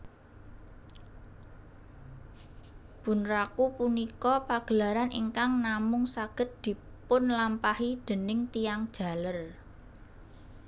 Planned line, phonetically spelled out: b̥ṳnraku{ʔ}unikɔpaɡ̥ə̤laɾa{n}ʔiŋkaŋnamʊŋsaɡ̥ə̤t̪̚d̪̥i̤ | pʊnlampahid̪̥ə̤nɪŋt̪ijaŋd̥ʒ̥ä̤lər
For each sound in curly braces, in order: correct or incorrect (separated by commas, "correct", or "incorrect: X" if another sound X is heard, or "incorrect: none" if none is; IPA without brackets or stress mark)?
incorrect: p, correct